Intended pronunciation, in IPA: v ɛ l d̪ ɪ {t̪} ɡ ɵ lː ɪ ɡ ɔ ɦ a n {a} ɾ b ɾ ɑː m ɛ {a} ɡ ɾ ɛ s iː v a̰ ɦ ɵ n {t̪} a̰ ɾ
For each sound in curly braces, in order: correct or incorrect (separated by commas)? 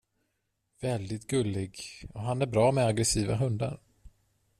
correct, incorrect, correct, incorrect